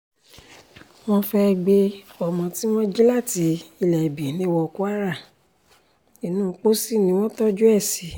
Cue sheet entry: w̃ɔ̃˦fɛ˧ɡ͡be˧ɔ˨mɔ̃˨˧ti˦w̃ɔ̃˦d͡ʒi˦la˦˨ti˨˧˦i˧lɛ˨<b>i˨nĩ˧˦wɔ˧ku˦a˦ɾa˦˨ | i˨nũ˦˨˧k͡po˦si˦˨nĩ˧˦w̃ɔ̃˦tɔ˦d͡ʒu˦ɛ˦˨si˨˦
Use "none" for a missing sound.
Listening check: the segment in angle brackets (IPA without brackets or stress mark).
b